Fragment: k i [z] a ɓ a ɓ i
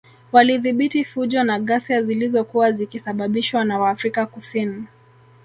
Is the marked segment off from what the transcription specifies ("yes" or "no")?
yes